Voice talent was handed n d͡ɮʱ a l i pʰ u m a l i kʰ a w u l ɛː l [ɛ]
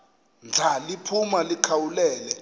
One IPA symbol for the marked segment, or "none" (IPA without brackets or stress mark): ɛ